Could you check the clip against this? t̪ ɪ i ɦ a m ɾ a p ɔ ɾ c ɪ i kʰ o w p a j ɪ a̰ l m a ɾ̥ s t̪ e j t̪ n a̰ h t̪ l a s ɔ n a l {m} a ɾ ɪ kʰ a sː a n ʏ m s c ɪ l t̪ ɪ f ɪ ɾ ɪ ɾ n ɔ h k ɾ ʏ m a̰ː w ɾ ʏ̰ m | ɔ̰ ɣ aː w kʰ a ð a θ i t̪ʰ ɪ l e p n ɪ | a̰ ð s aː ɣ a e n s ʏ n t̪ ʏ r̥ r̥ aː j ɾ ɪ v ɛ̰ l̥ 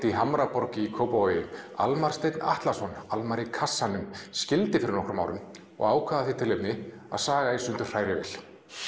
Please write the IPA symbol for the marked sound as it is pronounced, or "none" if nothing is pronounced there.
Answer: m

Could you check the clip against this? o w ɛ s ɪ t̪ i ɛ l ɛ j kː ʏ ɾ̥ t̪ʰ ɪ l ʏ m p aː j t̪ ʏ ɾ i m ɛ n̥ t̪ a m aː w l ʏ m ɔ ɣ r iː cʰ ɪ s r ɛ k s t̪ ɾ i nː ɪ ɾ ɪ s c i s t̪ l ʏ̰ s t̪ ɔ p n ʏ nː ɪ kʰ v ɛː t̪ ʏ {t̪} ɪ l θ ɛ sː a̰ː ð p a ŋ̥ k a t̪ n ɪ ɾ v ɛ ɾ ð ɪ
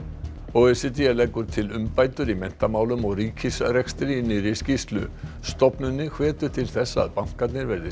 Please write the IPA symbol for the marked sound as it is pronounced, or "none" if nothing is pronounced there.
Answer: t̪ʰ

